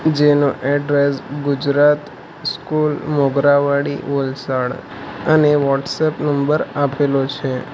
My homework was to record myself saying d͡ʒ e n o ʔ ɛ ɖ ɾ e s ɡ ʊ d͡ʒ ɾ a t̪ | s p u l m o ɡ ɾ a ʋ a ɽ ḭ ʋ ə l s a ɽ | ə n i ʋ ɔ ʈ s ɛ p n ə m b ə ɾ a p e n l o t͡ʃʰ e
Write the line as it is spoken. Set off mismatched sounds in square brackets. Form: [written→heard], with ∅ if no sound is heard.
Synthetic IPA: d͡ʒ e n o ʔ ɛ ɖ ɾ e s ɡ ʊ d͡ʒ ɾ a t̪ | s [p→k] u l m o ɡ ɾ a ʋ a ɽ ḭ ʋ ə l s a ɽ | ə n [i→e] ʋ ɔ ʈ s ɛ p n ə m b ə ɾ a p e [n→∅] l o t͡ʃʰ e

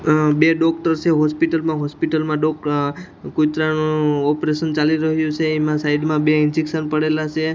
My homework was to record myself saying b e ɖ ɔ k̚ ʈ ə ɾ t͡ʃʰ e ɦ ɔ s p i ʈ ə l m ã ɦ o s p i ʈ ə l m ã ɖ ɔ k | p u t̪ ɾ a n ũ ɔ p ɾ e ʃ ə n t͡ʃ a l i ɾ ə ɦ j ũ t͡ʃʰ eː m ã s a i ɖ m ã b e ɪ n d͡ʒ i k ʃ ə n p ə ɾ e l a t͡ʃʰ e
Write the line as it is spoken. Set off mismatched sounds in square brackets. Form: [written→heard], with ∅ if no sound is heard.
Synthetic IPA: b e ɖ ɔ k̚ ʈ ə ɾ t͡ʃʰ e ɦ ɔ s p i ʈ ə l m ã ɦ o s p i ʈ ə l m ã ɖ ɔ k | [p→k] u t̪ ɾ a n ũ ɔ p ɾ e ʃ ə n t͡ʃ a l i ɾ ə ɦ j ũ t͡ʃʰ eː m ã s a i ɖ m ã b e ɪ n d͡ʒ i k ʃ ə n p ə [ɾ→ɽ] e l a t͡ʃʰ e

